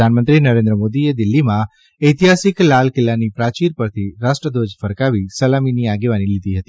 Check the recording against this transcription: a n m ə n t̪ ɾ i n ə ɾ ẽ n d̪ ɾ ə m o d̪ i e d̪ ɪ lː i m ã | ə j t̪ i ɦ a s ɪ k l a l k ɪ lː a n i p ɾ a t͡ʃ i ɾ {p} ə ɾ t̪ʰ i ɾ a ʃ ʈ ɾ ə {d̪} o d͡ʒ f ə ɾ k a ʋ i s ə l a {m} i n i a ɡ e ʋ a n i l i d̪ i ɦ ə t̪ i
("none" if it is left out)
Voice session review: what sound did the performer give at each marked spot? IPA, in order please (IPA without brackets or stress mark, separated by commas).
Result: p, d̪, m